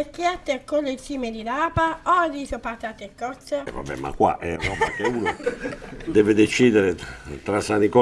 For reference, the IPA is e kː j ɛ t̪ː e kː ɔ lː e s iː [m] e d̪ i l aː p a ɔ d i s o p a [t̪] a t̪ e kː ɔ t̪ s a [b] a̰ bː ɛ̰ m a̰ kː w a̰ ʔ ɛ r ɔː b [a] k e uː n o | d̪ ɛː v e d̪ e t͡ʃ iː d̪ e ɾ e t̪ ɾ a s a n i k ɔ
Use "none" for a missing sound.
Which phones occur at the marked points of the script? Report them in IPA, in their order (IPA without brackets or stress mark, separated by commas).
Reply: m, t̪, v, a